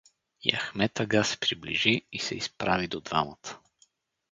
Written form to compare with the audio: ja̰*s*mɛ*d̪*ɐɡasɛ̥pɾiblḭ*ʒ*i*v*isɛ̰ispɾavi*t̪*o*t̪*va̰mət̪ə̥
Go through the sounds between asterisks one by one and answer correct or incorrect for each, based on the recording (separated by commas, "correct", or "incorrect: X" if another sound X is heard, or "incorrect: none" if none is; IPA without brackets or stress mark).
incorrect: x, incorrect: t̪, correct, incorrect: none, incorrect: d̪, incorrect: d̪